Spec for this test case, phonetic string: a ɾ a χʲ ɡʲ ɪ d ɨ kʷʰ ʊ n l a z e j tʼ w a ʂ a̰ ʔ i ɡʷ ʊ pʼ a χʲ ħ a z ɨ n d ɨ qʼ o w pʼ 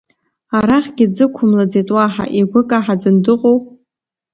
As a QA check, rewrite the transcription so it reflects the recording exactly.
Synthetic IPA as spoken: a ɾ a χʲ ɡʲ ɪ d͡z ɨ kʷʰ ʊ m l a d͡z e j tʼ w a ħ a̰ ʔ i ɡʷ ʊ kʼ a ħ a d͡z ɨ n d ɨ qʼ o w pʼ